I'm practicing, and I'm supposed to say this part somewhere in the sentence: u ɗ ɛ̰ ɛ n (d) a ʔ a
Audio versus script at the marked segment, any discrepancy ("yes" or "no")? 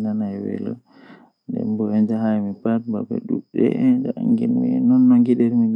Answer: yes